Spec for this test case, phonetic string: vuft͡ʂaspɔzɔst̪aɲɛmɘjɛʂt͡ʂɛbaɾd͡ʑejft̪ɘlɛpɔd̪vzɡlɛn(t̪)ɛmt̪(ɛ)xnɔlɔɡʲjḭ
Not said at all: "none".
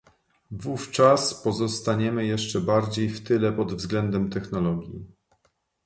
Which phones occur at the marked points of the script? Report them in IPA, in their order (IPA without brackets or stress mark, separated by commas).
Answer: d̪, ɛ